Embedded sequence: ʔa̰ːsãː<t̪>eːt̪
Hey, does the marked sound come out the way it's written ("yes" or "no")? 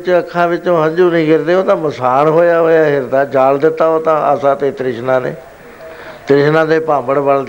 yes